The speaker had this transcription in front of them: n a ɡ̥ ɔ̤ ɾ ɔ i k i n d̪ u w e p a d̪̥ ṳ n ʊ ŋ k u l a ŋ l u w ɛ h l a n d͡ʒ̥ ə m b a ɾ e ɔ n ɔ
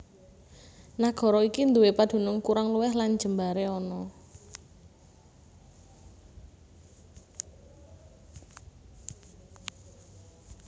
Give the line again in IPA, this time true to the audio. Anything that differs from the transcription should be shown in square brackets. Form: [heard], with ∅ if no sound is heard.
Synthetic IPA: n a ɡ̥ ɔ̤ ɾ ɔ i k i n d̪ u w e p a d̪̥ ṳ n ʊ ŋ k u [ɾ] a ŋ l u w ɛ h l a n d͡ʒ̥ ə m b a ɾ e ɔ n ɔ